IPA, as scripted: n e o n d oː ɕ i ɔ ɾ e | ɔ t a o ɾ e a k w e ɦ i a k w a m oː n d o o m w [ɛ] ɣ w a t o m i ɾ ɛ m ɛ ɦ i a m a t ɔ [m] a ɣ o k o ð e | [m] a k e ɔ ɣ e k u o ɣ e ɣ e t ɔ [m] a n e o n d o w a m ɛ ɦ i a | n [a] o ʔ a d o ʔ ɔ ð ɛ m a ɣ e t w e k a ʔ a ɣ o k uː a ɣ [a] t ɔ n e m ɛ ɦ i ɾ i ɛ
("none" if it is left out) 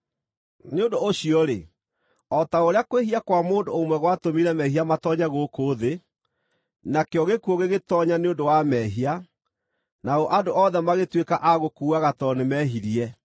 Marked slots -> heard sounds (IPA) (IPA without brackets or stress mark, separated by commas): ɛ, ɲ, n, ɲ, a, a